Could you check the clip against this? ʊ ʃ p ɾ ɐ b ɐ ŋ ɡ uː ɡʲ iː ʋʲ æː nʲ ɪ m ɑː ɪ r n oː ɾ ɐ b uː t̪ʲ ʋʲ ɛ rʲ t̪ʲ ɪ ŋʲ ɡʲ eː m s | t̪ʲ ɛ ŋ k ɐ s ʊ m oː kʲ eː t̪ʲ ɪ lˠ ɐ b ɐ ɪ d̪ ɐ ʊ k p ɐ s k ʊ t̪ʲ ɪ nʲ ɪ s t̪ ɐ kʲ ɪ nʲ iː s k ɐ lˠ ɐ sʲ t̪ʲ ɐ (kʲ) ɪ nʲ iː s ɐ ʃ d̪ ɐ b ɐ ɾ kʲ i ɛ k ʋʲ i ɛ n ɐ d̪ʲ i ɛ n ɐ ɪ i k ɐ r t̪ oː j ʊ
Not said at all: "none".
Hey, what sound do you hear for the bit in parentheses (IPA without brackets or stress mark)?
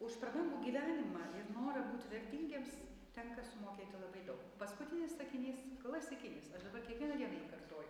kʲ